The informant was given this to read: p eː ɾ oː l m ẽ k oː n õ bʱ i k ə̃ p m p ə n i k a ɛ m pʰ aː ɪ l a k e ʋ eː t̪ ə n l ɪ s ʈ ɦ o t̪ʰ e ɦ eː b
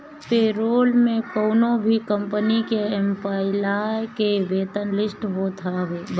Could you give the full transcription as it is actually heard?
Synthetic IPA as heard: p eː ɾ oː l m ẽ k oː n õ bʱ i k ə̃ m p ə n i k e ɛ m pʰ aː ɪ l a k e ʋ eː t̪ ə n l ɪ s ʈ ɦ o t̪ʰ a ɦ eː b